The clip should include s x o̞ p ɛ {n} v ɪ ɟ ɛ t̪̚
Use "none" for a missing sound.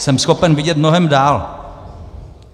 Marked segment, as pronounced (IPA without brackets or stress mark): n